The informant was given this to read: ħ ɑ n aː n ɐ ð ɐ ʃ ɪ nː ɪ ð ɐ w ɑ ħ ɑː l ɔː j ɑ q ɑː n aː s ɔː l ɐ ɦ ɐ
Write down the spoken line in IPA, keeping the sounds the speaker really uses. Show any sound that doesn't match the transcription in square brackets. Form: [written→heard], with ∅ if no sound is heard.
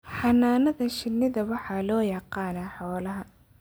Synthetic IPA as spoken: ħ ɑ n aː n ɐ ð ɐ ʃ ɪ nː ɪ ð ɐ w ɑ ħ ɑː l ɔː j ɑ q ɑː n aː [s→ħ] ɔː l ɐ ɦ ɐ